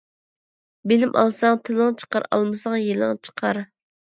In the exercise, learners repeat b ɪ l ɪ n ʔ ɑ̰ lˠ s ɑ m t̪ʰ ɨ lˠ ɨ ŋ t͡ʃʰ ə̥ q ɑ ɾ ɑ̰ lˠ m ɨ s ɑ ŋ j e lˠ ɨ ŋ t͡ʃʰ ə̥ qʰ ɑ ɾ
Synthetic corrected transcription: b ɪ l ɪ m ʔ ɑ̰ lˠ s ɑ ŋ t̪ʰ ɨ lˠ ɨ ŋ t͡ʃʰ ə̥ q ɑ ɾ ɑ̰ lˠ m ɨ s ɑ ŋ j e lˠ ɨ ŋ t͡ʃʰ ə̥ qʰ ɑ ɾ